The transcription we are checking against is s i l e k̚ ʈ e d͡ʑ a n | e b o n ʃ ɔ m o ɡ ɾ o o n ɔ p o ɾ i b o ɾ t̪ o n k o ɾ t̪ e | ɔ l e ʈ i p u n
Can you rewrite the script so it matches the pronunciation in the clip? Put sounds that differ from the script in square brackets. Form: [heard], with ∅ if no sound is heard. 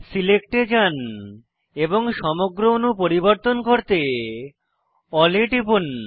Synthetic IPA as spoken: s i l e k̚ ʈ e d͡ʑ a n | e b o [ŋ] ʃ ɔ m o ɡ ɾ o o n [u] p o ɾ i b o ɾ t̪ o n k o ɾ t̪ e | ɔ l e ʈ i p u n